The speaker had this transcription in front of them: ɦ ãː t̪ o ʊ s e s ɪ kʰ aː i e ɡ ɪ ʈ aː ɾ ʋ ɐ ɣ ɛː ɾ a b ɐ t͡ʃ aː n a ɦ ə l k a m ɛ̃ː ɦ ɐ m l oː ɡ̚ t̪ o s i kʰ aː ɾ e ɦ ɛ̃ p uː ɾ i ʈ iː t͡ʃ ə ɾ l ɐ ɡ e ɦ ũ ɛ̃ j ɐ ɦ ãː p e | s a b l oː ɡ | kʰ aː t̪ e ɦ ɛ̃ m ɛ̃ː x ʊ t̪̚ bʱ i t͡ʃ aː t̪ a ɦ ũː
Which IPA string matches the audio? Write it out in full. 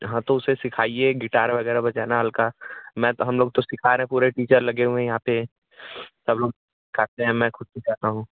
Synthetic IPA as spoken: ɦ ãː t̪ o ʊ s e s ɪ kʰ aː i e ɡ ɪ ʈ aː ɾ ʋ ɐ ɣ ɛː ɾ a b ɐ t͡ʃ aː n a ɦ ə l k a m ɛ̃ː ɦ ɐ m l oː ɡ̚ t̪ o s ɪ kʰ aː ɾ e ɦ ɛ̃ p uː ɾ e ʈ iː t͡ʃ ə ɾ l ɐ ɡ e ɦ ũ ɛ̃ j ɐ ɦ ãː p e | s ɐ b l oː ɡ | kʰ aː t̪ e ɦ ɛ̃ m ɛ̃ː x ʊ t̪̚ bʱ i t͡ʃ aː t̪ a ɦ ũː